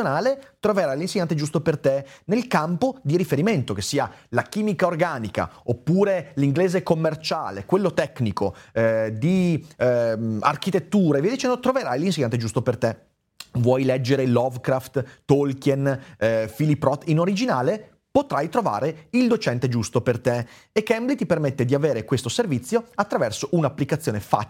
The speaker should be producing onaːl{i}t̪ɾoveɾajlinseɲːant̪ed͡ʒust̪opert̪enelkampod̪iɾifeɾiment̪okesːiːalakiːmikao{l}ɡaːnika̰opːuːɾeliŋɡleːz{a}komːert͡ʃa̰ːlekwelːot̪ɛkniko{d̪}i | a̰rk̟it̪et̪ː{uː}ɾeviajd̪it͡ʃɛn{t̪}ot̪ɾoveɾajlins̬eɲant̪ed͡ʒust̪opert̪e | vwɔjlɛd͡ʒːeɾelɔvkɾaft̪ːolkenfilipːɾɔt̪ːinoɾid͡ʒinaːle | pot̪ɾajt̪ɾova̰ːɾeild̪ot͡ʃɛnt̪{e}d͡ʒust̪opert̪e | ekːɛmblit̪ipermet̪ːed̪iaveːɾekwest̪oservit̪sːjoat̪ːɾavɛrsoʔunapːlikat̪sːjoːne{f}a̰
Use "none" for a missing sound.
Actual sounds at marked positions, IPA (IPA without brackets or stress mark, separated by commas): e, r, e, d̪, uː, d̪, e, f